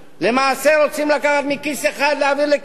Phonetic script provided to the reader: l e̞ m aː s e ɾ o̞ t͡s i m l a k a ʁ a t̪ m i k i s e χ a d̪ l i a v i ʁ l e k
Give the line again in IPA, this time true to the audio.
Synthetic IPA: l e̞ m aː s e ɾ o̞ t͡s i m l a k a χ a t̪ m i k i s e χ a d̪ l e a v i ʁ l e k

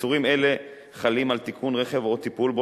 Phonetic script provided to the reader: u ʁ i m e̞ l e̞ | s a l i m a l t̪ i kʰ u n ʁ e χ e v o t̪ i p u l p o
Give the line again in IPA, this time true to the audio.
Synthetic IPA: u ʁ i m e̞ l e̞ | χ a l i m a l t̪ i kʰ u n ʁ e χ e v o t̪ i p u l b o

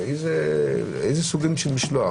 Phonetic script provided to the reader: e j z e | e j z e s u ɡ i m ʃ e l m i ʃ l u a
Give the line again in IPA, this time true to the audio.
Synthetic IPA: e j z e | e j z e s u ɡ i m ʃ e l m i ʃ l o a

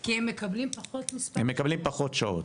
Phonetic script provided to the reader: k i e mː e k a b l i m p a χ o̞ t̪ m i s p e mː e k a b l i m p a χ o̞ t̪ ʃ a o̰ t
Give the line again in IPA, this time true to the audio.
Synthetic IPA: k i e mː e k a b l i m p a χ o̞ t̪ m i s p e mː e k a b l i m p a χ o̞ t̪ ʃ a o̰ t

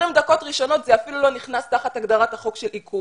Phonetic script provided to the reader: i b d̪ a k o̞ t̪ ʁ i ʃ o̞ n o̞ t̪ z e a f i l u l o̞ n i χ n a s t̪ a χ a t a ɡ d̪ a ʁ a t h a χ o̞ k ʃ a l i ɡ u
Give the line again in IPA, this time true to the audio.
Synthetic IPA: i m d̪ a k o̞ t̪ ʁ i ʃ o̞ n o̞ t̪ z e a f i l u l o̞ n i χ n a s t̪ a χ a t a ɡ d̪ a ʁ a t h a χ o̞ k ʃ e l i k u

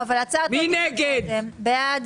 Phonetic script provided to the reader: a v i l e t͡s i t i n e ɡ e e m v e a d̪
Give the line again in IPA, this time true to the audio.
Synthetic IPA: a v a l a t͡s a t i n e ɡ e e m b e a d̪

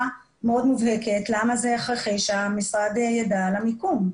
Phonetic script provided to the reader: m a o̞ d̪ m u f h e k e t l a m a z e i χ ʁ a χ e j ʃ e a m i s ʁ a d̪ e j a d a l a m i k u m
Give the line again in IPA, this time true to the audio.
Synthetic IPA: m e o̞ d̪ m u v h e k e t l a m a z e a χ ʁ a χ e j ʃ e a m i s ʁ a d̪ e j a d a l a m i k u m

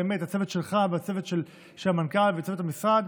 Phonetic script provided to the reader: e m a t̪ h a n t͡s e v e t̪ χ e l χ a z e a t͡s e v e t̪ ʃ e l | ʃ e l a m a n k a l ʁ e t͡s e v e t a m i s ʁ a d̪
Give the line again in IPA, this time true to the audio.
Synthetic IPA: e m e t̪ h a t͡s e v e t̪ ʃ e l χ a v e a t͡s e v e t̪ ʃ e l | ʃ e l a m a n k a l v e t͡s e v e t a m i s ʁ a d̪

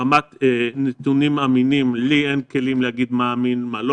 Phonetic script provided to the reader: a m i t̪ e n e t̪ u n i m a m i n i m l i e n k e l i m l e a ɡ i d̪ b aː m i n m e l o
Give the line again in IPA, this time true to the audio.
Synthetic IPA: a m a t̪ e n e t̪ u n i m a m i n i m l i e n k e l i m l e a ɡ i d̪ m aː m i n m a l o

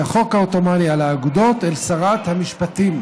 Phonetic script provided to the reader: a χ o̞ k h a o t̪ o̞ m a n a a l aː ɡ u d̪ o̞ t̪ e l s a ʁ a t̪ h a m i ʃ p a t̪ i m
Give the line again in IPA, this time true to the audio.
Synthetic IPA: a χ o̞ k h a o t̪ o̞ m a n i a l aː ɡ u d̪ o̞ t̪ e l s a ʁ a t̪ h a m i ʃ p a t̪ i m

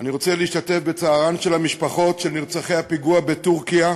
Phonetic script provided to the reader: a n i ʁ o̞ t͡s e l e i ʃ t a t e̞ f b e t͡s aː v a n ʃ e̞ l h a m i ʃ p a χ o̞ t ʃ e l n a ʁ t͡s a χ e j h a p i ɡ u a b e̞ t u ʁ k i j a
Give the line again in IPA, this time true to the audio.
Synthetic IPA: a n i ʁ o̞ t͡s e l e i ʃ t a t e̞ f b e t͡s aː ʁ a n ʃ e̞ l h a m i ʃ p a χ o̞ t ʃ e l n i ʁ t͡s a χ e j h a p i ɡ u a b e̞ t u ʁ k i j a

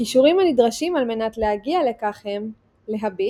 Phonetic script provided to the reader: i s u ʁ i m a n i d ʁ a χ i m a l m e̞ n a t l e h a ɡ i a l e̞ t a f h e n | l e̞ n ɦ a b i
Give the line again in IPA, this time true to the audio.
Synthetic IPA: i ʃ u ʁ i m a n i d ʁ a ʃ i m a l m e̞ n a t l e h a ɡ i a l e̞ k a χ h e m | l e̞ ɦ a b i

